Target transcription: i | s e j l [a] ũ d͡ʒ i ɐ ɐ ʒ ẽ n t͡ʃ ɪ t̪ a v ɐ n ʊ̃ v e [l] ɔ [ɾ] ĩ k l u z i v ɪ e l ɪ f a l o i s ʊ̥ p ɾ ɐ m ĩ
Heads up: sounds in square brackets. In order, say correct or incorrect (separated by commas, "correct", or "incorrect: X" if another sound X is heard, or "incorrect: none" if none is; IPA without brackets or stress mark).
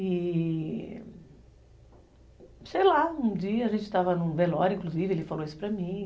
correct, correct, correct